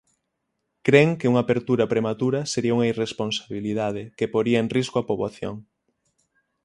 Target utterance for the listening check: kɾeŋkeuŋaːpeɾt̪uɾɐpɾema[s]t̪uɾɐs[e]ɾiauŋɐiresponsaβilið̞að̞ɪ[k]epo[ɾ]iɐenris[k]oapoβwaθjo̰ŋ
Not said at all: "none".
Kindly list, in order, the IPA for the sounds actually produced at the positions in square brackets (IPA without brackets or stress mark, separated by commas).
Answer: none, e, k, ɾ, k